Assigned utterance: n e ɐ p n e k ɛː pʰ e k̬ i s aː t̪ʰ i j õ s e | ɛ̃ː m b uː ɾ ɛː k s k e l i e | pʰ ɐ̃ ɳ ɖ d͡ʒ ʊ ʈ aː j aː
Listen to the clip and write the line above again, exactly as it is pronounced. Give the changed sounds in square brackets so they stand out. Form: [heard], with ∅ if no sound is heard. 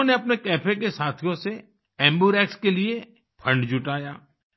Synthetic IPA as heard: n e ɐ p n e k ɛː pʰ e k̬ [e] s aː t̪ʰ i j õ s e | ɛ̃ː m b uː ɾ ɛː k s k e l i e | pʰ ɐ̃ ɳ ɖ d͡ʒ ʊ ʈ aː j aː